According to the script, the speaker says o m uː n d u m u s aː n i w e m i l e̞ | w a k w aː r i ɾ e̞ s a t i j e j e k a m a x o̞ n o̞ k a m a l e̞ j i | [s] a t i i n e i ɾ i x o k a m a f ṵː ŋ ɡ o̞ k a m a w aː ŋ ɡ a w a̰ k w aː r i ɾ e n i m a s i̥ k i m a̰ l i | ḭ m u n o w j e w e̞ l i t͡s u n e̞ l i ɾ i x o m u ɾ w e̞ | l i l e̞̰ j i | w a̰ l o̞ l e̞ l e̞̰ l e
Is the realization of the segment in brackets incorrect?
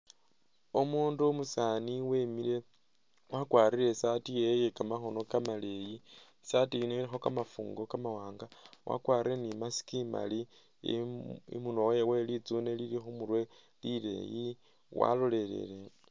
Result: no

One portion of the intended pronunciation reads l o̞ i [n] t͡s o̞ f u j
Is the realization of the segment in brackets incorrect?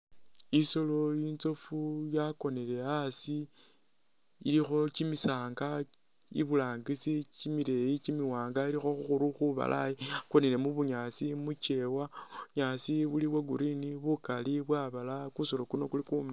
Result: no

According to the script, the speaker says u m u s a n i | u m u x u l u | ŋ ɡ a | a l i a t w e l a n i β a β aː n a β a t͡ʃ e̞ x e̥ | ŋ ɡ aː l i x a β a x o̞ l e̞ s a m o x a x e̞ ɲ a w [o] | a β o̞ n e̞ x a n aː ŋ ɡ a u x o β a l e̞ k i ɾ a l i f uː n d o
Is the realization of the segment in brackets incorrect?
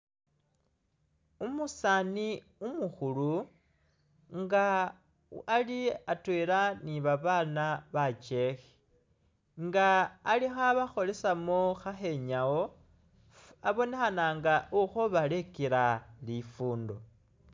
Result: no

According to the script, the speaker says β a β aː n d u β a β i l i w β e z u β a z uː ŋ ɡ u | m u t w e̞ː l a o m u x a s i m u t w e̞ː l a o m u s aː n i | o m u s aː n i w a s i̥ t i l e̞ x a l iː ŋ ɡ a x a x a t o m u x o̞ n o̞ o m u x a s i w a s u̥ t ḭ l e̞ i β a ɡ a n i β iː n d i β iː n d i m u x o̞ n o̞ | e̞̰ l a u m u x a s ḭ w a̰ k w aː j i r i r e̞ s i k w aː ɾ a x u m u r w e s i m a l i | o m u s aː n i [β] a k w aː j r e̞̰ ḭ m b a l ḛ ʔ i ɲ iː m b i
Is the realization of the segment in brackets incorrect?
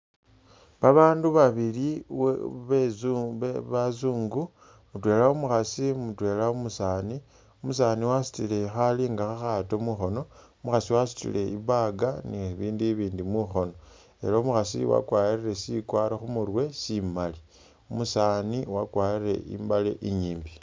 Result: yes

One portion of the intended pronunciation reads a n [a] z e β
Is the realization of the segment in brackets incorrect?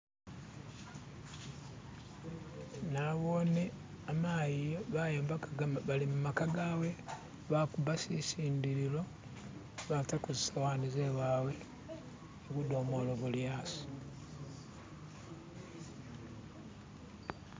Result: yes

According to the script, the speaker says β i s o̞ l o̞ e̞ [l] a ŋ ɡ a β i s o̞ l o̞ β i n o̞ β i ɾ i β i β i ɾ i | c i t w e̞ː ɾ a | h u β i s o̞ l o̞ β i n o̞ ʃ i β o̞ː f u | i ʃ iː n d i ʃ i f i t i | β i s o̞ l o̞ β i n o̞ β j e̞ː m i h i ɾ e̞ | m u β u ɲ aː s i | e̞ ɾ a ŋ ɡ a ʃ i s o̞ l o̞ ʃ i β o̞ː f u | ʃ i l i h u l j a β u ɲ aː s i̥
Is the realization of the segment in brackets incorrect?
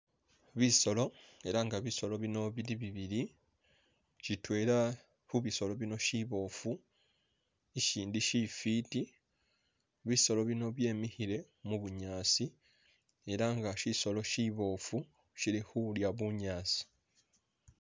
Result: yes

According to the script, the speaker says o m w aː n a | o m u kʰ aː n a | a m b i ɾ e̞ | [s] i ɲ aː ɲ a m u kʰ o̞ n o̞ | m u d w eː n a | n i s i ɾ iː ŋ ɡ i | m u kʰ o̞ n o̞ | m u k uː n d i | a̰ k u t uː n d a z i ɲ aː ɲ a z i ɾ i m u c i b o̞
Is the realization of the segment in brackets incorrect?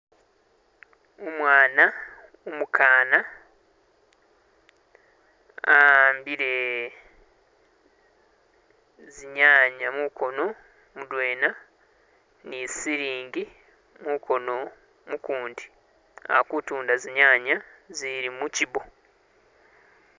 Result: yes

